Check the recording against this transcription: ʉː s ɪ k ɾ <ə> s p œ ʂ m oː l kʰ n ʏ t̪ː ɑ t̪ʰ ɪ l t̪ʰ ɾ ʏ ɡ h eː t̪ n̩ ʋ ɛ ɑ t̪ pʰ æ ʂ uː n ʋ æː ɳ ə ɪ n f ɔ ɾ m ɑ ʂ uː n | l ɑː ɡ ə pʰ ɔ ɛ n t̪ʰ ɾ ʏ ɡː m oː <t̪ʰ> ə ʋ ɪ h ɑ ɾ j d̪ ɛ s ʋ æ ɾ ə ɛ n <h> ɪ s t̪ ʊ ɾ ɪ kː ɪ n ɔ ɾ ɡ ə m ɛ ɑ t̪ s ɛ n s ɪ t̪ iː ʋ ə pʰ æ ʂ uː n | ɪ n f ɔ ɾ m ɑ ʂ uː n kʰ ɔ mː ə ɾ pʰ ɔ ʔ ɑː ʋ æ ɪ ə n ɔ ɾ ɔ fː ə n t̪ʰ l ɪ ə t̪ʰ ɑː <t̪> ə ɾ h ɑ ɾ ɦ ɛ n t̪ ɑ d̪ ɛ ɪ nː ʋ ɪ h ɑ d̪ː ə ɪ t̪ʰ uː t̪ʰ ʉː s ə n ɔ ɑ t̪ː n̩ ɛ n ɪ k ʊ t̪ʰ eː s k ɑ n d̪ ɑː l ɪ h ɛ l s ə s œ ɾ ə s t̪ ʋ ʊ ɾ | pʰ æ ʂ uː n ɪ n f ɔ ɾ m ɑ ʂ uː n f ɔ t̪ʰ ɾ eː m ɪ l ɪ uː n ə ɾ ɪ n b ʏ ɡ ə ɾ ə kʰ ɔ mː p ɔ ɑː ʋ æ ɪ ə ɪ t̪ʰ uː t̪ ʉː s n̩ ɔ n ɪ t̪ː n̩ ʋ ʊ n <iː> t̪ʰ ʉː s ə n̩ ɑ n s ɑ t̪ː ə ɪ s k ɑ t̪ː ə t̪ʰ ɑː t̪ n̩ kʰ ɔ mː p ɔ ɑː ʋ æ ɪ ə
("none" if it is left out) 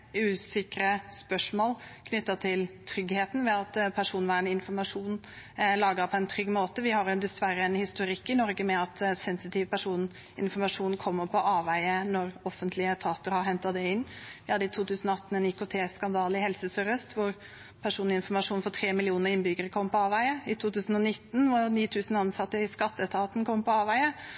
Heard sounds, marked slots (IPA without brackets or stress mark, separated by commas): ə, t̪, h, t̪, iː